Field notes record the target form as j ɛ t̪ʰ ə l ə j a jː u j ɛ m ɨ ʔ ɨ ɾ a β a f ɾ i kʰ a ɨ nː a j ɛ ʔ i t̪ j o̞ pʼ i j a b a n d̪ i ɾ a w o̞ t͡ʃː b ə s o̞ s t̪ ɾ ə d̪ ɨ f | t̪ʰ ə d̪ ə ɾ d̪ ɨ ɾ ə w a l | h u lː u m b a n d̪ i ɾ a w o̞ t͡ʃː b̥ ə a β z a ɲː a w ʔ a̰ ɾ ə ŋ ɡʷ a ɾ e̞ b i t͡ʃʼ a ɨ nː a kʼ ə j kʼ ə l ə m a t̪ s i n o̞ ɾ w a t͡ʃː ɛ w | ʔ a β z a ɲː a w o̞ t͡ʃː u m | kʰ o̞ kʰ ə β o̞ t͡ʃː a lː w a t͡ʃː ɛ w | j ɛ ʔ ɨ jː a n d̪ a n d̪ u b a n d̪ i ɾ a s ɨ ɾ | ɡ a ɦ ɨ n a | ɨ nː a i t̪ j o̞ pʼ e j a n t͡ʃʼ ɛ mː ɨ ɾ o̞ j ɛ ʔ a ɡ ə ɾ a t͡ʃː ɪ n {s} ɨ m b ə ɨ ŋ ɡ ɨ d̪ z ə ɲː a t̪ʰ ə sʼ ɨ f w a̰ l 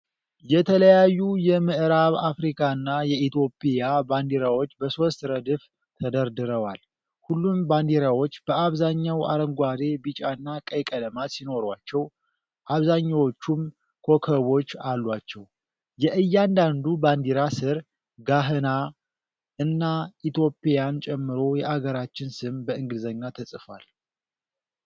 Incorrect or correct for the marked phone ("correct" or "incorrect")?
correct